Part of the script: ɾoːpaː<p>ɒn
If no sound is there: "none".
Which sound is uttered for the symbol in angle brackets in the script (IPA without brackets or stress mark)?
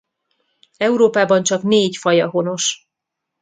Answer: b